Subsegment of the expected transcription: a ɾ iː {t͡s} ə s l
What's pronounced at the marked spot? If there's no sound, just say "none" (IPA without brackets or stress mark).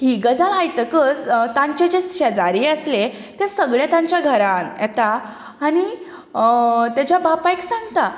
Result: none